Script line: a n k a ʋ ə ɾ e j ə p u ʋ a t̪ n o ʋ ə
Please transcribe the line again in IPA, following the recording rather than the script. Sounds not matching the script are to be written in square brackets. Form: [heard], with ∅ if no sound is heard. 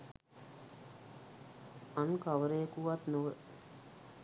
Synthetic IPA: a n k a ʋ ə ɾ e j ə [k] u ʋ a t̪ n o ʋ ə

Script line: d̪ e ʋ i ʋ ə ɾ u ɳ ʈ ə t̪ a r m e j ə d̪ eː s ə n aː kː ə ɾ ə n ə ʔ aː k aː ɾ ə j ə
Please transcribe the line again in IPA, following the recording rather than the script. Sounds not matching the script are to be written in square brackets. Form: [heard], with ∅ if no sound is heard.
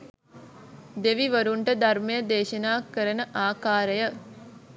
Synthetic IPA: d̪ e ʋ i ʋ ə ɾ u ɳ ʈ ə [d̪] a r m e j ə d̪ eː [ʃ] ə n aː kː ə ɾ ə n ə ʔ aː k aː ɾ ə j ə

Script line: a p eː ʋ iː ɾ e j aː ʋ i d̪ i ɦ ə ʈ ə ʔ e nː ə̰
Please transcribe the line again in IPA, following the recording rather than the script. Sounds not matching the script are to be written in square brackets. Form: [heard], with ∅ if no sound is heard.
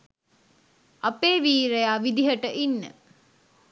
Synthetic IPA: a p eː ʋ iː ɾ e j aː ʋ i d̪ i ɦ ə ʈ ə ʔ [i] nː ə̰

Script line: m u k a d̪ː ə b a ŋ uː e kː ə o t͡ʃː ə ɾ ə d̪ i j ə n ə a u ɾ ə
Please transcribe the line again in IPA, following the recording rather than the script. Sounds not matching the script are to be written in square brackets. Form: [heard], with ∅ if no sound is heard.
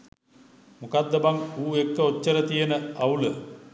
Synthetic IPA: m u k a d̪ː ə b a ŋ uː e kː ə o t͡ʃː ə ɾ ə [t̪] i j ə n ə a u [l] ə

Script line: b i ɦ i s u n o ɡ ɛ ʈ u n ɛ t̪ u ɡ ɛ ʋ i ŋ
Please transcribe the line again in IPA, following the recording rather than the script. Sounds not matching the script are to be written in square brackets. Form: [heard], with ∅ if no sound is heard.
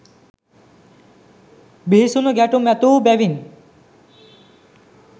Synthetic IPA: b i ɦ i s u n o ɡ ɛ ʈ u [m] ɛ t̪ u [b] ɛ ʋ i [n]

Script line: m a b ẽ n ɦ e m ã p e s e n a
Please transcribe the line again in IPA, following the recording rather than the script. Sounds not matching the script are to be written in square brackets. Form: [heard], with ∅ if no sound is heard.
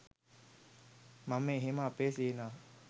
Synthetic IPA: m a [m] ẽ [∅] ɦ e m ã p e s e n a

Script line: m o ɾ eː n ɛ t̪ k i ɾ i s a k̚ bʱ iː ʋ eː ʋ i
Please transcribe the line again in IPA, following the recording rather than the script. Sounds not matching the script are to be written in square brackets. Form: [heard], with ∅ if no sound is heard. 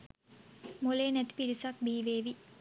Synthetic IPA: m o [l] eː n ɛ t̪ [p] i ɾ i s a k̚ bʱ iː ʋ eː ʋ i

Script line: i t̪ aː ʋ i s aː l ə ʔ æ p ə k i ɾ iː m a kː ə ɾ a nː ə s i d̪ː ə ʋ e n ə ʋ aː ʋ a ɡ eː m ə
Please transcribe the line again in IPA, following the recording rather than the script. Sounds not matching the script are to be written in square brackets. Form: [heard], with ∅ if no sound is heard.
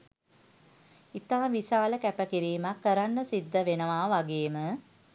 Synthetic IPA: i t̪ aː ʋ i s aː l ə [k] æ p ə k i ɾ iː m a kː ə ɾ a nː ə s i d̪ː ə ʋ e n ə ʋ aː ʋ a ɡ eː m ə

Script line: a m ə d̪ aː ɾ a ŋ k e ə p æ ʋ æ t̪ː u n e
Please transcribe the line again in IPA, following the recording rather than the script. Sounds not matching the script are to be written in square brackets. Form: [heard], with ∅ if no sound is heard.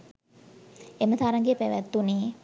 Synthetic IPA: [e] m ə [t̪] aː ɾ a ŋ [ɡ] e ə p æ ʋ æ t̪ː u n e

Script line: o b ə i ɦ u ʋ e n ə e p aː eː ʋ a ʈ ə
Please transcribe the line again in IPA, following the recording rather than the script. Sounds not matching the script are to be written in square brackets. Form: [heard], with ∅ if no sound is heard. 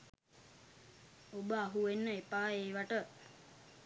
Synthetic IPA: o b ə [a] ɦ u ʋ e [nː] ə e p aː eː ʋ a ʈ ə

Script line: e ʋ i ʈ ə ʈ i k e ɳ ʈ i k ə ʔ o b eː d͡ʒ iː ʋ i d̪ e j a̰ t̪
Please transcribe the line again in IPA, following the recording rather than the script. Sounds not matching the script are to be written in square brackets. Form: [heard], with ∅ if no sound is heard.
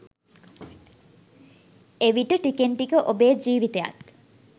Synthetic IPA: e ʋ i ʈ ə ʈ i k e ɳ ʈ i k ə ʔ o b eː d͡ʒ iː ʋ i [t̪] e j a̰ t̪

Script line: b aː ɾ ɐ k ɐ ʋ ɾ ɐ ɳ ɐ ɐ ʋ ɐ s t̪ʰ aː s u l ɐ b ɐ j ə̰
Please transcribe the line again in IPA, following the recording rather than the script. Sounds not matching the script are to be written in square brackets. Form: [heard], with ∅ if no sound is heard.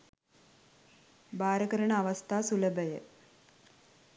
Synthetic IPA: b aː ɾ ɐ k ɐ [∅] ɾ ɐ ɳ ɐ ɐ ʋ ɐ s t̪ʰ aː s u l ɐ b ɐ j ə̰

